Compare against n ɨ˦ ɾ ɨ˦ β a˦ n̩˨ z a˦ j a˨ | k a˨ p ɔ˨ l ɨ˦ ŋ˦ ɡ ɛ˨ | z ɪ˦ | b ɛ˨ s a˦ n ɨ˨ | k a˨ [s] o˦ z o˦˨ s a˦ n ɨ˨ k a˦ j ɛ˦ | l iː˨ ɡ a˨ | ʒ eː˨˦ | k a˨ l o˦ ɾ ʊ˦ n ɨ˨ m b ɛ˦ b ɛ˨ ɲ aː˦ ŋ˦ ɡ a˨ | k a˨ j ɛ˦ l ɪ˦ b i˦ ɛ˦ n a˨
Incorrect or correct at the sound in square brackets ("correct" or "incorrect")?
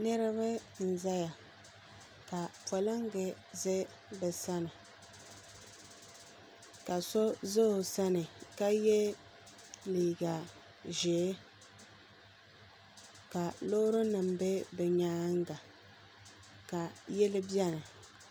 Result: correct